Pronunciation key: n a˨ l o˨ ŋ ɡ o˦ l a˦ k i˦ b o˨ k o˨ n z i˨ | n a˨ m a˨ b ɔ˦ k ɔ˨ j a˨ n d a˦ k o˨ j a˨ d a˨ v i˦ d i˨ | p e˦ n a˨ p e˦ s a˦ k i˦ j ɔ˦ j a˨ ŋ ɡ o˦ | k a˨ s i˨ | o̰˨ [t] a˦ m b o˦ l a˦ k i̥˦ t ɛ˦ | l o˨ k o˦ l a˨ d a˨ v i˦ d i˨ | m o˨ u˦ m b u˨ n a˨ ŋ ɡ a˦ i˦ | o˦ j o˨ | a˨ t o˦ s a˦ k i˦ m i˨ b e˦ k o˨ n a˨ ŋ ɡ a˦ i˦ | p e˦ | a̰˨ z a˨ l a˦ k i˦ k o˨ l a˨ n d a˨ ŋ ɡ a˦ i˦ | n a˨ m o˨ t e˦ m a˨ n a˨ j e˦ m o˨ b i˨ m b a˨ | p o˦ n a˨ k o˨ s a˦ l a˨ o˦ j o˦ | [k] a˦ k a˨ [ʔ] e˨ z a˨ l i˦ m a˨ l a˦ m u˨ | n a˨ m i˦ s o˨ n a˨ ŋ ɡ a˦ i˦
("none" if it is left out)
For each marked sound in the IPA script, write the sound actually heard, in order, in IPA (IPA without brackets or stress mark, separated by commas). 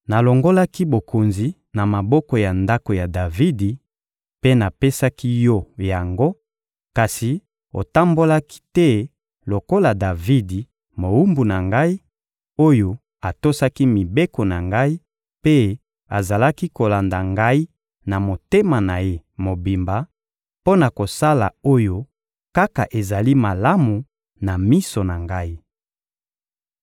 t, k, ʔ